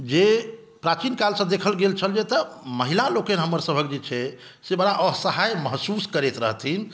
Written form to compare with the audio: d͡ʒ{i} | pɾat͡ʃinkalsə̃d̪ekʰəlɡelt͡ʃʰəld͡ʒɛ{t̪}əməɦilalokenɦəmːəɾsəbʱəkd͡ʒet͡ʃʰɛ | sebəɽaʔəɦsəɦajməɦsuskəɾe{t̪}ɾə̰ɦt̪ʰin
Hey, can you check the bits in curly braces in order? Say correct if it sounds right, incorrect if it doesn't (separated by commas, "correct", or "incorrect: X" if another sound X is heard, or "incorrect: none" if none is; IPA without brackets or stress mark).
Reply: incorrect: e, correct, correct